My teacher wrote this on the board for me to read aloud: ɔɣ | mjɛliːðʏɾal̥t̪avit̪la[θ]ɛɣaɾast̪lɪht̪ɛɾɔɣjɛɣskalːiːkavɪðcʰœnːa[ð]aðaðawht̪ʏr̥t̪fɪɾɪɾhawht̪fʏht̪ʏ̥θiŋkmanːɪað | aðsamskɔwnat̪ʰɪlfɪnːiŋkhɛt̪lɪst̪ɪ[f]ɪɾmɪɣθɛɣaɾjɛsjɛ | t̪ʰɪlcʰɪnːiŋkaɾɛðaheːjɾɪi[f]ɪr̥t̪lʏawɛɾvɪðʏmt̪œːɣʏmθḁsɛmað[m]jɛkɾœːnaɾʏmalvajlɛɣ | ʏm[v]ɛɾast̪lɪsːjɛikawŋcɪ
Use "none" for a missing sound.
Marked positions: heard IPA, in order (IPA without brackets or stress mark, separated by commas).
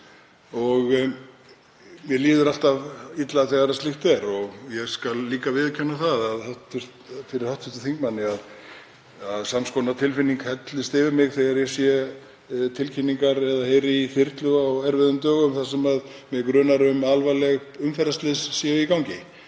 θ, θ, v, θ, m, f